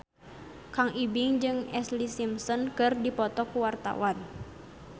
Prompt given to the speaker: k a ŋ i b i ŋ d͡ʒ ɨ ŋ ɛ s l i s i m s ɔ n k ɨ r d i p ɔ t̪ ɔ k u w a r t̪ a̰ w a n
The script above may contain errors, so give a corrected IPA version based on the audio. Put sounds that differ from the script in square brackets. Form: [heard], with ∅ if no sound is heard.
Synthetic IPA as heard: k a ŋ i b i ŋ d͡ʒ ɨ ŋ ɛ s l i s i m s ɔ n k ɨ r d i p ɔ t̪ ɔ k u w a r t̪ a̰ w a n